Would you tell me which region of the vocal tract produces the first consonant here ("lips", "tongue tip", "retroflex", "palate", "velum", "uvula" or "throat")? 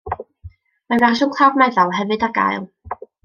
lips